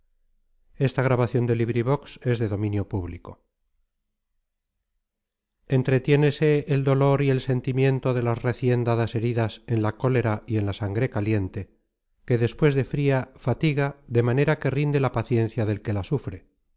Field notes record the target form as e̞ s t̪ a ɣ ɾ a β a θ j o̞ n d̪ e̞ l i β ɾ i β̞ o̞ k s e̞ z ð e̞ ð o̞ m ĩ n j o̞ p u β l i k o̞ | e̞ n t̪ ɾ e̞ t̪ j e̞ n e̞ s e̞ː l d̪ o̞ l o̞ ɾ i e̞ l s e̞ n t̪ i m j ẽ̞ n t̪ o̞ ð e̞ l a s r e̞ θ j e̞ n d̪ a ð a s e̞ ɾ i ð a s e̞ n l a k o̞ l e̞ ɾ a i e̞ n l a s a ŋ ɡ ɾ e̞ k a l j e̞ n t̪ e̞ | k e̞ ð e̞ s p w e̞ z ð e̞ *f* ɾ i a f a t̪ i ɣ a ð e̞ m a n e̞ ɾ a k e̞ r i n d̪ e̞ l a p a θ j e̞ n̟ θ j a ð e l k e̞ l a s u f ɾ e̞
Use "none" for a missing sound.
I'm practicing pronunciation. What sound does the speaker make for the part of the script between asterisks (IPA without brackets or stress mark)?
f